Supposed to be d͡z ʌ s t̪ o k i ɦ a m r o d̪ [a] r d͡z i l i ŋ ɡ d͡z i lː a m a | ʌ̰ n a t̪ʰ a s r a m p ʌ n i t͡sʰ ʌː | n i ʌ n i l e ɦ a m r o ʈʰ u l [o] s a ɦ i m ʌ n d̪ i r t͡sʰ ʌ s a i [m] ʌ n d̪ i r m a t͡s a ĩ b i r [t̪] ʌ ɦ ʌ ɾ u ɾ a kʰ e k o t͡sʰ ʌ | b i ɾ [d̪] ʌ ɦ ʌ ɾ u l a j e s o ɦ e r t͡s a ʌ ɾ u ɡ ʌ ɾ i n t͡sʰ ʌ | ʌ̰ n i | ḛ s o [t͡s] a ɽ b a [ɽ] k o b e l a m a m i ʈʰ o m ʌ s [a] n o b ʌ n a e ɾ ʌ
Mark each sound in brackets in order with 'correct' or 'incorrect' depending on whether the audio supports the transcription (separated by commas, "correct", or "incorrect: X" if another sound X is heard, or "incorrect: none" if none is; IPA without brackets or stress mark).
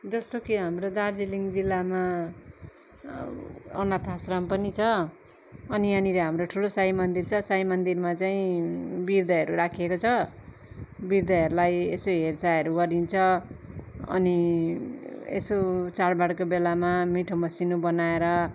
correct, correct, correct, incorrect: d̪, correct, correct, correct, incorrect: i